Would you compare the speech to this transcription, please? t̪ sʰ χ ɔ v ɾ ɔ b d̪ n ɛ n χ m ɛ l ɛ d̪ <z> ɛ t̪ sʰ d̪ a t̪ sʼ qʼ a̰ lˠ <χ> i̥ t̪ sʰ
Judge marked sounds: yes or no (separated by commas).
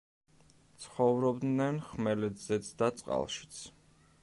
yes, no